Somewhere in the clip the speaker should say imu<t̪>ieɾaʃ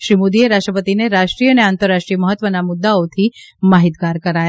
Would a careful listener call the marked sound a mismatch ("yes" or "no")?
yes